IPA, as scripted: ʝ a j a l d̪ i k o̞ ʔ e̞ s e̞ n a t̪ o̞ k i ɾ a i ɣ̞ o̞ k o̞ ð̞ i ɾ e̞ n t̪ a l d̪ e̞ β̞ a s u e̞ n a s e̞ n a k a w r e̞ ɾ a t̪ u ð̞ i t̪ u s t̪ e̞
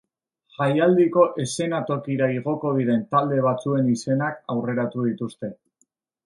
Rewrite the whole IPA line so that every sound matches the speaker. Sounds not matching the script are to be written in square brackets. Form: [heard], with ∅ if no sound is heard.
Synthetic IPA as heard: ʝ a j a l d̪ i k o̞ ʔ e̞ s e̞ n a t̪ o̞ k i ɾ a i ɣ̞ o̞ k o̞ ð̞ i ɾ e̞ n t̪ a l d̪ e̞ β̞ a [t͡s] u e̞ n [i] s e̞ n a k a w r e̞ ɾ a t̪ u ð̞ i t̪ u s t̪ e̞